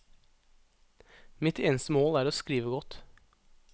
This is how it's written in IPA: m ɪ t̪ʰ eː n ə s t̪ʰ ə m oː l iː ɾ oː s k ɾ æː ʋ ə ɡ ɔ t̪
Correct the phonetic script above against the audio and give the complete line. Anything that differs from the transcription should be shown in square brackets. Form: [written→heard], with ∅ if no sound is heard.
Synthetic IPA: m ɪ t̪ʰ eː n ə s [t̪ʰ→t̪] ə m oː l [iː→æː] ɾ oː s k ɾ [æː→iː] ʋ ə ɡ ɔ t̪